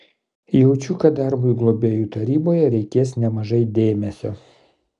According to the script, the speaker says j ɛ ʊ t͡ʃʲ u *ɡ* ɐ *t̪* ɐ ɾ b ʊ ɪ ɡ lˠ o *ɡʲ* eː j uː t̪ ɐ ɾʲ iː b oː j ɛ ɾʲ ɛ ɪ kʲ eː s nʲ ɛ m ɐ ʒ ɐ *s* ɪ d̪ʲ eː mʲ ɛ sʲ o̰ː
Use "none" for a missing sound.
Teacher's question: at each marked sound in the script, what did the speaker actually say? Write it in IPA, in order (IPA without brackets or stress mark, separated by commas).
k, d̪, bʲ, none